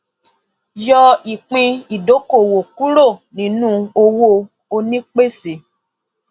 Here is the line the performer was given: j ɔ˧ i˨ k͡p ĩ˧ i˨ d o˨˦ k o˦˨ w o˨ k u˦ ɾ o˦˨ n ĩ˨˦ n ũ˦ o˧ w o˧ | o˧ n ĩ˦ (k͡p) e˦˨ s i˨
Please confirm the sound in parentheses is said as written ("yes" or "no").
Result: yes